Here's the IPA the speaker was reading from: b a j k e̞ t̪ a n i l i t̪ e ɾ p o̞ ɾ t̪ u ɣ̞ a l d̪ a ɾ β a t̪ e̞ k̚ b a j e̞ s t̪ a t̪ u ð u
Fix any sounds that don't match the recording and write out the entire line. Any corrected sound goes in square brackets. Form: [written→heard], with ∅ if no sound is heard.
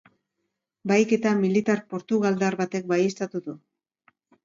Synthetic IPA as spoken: b a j k e̞ t̪ a [n→m] i l i t̪ [e→a] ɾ p o̞ ɾ t̪ u ɣ̞ a l d̪ a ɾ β a t̪ e̞ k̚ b a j e̞ s t̪ a t̪ u ð u